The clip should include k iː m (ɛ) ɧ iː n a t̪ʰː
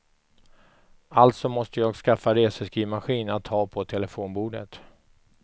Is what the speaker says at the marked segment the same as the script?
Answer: no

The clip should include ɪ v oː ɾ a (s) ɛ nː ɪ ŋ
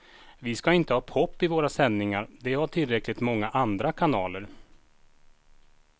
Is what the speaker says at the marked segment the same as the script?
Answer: yes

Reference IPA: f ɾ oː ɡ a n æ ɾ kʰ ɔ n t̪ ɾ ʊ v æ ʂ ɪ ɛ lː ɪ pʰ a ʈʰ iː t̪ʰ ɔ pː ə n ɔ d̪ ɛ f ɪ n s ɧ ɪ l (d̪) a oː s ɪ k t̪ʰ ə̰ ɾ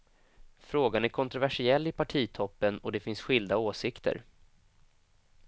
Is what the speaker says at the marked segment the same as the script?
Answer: yes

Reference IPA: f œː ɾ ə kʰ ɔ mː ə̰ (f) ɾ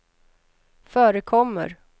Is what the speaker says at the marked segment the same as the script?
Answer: no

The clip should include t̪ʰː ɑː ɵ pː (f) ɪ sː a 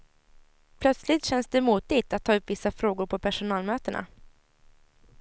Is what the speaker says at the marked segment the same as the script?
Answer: no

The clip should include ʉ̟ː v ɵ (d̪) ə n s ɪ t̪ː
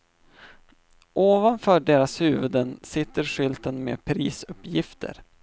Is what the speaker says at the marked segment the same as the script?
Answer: yes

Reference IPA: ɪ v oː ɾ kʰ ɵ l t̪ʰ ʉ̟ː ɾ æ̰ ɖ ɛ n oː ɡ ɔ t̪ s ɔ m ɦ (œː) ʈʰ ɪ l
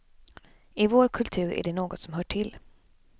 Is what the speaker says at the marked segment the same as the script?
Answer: yes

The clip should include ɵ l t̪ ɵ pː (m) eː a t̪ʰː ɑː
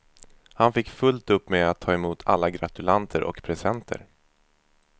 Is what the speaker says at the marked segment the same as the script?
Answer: yes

